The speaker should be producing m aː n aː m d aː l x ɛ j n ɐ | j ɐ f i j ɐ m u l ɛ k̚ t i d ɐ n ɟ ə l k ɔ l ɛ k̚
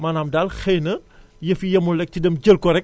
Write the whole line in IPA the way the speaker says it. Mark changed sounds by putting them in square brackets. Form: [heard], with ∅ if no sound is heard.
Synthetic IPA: m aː n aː m d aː l x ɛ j n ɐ | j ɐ f i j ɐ m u l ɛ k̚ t i d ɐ [m] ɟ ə l k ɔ [ɾ] ɛ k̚